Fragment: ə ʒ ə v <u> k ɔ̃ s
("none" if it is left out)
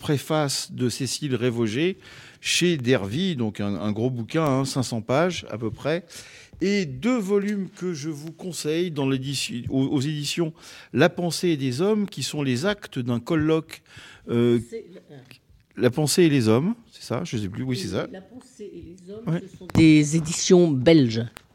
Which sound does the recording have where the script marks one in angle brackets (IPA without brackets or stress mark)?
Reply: u